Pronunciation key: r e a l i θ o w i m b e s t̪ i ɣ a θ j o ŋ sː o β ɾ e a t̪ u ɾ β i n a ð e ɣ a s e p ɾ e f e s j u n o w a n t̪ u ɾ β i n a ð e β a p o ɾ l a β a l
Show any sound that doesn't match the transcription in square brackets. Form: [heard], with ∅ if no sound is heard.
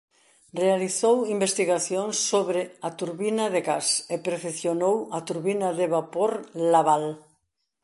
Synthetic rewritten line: r e a l i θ o w i m b e s t̪ i ɣ a θ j o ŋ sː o β ɾ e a t̪ u ɾ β i n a ð e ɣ a s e p ɾ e f e [θ] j [o] n o w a [∅] t̪ u ɾ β i n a ð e β a p o ɾ l a β a l

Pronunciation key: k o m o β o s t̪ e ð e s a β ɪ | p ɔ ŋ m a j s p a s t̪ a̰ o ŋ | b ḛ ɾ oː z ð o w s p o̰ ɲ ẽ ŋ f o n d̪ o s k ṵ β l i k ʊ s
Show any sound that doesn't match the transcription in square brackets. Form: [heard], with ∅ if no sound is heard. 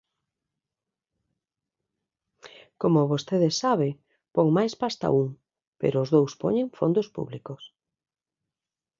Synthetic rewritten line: k o m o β o s t̪ e ð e s a β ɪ | p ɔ ŋ m a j s p a s t̪ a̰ [u] ŋ | [p] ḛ ɾ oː z ð o w s p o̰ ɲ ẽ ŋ f o n d̪ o s [p] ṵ β l i k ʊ s

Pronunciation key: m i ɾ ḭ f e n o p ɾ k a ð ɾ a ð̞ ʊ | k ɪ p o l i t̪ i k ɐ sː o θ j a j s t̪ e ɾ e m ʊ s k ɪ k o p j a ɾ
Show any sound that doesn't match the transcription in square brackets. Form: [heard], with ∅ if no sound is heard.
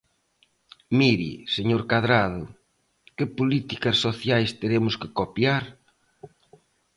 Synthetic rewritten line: m i ɾ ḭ [s] e [ɲ] o [∅] ɾ k a ð ɾ a ð̞ ʊ | k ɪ p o l i t̪ i k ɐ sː o θ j a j s t̪ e ɾ e m ʊ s k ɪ k o p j a ɾ

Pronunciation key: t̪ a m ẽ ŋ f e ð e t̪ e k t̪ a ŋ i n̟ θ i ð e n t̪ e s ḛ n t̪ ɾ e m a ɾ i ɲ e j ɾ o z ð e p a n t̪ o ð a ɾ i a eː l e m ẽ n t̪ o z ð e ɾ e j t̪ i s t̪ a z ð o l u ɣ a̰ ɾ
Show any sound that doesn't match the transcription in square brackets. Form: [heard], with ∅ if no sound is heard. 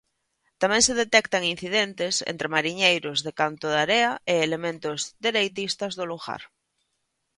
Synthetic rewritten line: t̪ a m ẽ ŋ [s] e ð e t̪ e k t̪ a ŋ i n̟ θ i ð e n t̪ e s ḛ n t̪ ɾ e m a ɾ i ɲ e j ɾ o z ð e [k] a n t̪ o ð a ɾ [e] a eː l e m ẽ n t̪ o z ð e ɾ e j t̪ i s t̪ a z ð o l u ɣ a̰ ɾ

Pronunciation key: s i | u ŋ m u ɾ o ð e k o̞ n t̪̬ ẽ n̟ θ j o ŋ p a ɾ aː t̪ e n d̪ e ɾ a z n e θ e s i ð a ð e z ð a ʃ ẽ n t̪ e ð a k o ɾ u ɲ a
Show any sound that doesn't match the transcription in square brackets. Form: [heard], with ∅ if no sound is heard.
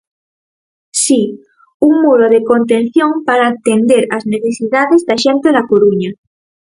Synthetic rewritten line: s i | u ŋ m u ɾ o ð e k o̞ n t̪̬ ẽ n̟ θ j o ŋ p a ɾ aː t̪ e n d̪ e ɾ a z n e θ e s i ð a ð e z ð a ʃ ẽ n t̪ e ð a k o ɾ u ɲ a

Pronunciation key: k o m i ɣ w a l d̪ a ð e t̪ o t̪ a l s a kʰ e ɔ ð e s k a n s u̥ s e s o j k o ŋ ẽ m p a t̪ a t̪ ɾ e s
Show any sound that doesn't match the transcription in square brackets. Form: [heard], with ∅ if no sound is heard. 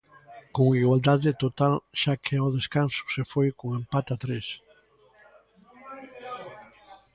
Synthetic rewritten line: k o [ŋ] i ɣ w a l d̪ a ð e t̪ o t̪ a l [ʃ] a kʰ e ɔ ð e s k a n s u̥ s e [f] o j k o ŋ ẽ m p a t̪ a t̪ ɾ e s

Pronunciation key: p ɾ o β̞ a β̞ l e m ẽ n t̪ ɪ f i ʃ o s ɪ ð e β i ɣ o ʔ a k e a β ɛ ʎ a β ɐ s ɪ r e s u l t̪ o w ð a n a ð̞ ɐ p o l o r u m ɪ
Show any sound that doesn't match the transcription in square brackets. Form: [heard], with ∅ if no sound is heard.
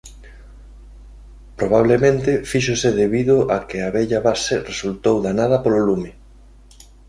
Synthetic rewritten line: p ɾ o β̞ a β̞ l e m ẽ n t̪ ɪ f i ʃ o s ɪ ð e β i [ð] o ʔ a k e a β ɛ ʎ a β [a] s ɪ r e s u l t̪ o w ð a n a ð̞ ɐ p o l o [l] u m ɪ

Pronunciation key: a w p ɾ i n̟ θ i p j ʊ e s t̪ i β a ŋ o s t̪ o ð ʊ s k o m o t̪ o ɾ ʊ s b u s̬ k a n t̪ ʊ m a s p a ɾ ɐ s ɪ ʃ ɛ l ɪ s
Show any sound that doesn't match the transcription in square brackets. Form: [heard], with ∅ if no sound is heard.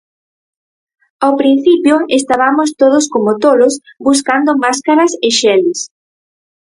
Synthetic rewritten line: a w p ɾ i n̟ θ i p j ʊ e s t̪ [a] β a [m] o s t̪ o ð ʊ s k o m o t̪ o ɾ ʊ s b u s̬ k a n [d̪] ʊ m a s [k] a ɾ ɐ s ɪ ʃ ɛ l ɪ s

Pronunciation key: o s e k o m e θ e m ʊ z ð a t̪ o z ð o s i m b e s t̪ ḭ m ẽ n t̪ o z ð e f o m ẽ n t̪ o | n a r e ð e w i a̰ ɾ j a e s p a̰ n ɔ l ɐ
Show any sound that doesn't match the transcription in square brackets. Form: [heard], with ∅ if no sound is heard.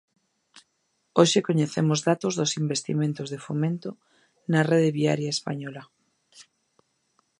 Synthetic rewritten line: o [ʃ] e k o [ɲ] e θ e m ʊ z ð a t̪ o z ð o s i m b e s t̪ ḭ m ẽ n t̪ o z ð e f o m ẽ n t̪ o | n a r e ð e [β] i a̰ ɾ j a e s p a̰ [ɲ] ɔ l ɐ

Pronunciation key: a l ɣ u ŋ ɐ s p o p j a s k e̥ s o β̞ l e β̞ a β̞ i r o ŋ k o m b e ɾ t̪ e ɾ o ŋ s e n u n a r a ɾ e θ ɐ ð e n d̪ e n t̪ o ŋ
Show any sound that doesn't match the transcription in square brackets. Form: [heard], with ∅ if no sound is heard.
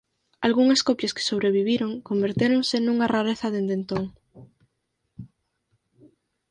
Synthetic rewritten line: a l ɣ u ŋ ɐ s [k] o p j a s k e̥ s o β̞ [ɾ] e β̞ [i] β̞ i [ɾ] o ŋ k o m b e ɾ t̪ e ɾ o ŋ s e n u [ŋ] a r a ɾ e θ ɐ ð e n d̪ e n t̪ o ŋ

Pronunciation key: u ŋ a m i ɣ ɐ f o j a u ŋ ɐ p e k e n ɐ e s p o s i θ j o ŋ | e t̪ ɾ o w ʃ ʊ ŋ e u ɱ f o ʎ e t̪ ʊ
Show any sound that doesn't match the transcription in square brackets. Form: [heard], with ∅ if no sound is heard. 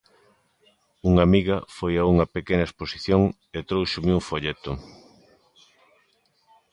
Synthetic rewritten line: u ŋ a m i ɣ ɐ f o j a u ŋ ɐ p e k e n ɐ e s p o s i θ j o ŋ | e t̪ ɾ o w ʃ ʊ [m] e u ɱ f o ʎ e t̪ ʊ

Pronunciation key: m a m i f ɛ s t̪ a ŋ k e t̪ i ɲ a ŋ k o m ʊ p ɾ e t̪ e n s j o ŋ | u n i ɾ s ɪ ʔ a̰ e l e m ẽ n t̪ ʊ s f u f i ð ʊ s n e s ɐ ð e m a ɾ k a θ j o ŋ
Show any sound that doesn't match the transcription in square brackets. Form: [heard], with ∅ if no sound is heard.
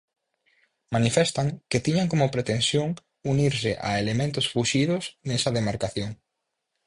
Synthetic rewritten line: m a [n] i f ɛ s t̪ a ŋ k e t̪ i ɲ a ŋ k o m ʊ p ɾ e t̪ e n s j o ŋ | u n i ɾ s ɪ ʔ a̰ e l e m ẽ n t̪ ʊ s f u [ʃ] i ð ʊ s n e s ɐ ð e m a ɾ k a θ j o ŋ

